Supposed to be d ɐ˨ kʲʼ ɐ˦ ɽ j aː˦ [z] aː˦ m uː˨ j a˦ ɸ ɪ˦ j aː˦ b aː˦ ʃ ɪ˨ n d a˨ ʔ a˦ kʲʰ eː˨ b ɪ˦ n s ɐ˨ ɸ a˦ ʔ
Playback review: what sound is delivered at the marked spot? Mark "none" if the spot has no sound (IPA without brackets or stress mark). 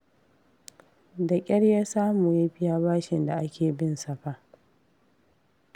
s